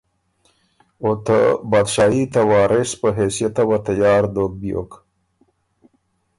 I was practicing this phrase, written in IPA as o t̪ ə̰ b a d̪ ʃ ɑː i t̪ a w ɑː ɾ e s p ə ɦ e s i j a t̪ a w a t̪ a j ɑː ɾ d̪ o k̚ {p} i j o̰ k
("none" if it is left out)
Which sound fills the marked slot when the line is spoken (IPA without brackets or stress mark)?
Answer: b